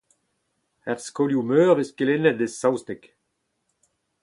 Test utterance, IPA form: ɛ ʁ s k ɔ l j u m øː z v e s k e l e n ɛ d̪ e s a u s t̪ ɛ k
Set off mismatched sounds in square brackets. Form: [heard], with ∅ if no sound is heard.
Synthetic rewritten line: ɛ ʁ s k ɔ l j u m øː [ʁ] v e s k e l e n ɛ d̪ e s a [w] s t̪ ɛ k